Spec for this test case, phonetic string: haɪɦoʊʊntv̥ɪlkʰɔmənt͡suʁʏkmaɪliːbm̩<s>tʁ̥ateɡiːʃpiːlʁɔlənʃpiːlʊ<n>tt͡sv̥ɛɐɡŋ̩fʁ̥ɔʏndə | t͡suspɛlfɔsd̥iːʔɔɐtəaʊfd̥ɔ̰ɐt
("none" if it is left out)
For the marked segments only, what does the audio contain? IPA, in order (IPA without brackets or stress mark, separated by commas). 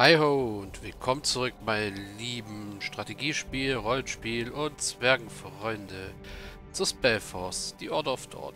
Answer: ʃ, n